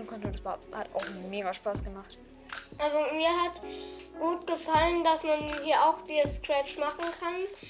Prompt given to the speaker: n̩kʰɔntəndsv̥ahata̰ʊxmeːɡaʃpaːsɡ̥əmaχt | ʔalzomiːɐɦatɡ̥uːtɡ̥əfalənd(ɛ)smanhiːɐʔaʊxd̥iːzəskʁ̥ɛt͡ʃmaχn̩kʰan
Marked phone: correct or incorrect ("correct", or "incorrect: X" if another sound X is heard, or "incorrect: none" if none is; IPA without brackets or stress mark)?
incorrect: a